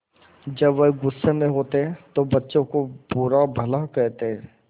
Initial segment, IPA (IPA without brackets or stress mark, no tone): d͡ʒ